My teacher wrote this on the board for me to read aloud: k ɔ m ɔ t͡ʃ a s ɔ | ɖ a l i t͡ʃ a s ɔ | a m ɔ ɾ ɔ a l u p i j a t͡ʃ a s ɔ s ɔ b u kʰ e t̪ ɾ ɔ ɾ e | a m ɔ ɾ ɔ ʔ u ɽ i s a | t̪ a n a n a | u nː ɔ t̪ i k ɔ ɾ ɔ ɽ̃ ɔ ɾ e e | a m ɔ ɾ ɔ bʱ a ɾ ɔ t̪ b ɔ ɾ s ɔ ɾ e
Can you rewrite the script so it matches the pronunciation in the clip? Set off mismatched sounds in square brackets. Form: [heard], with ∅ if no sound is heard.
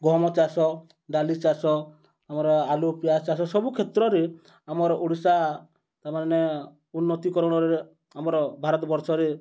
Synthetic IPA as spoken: [ɡ] ɔ m ɔ t͡ʃ a s ɔ | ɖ a l i t͡ʃ a s ɔ | a m ɔ ɾ ɔ a l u p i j a t͡ʃ a s ɔ s ɔ b u kʰ e t̪ ɾ ɔ ɾ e | a m ɔ ɾ ɔ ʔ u ɽ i s a | t̪ a [m] a n [e] | u nː ɔ t̪ i k ɔ ɾ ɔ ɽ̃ ɔ ɾ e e | a m ɔ ɾ ɔ bʱ a ɾ ɔ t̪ b ɔ ɾ s ɔ ɾ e